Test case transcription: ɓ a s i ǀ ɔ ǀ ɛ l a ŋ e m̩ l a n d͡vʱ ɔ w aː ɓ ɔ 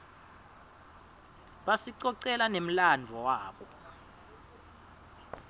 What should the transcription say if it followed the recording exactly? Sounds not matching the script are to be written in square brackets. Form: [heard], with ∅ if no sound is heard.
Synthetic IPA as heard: ɓ a s i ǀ ɔ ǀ ɛ l a [n] e m̩ l a n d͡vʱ ɔ w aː ɓ ɔ